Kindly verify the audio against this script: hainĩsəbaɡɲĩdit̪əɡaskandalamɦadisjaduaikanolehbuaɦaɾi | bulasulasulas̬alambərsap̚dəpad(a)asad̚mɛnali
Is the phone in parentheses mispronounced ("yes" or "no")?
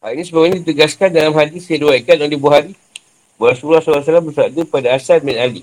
no